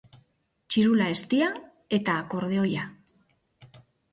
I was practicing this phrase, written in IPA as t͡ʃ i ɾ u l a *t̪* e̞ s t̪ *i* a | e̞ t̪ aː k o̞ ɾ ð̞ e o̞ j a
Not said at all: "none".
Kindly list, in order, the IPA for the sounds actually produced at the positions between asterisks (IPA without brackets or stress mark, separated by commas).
none, i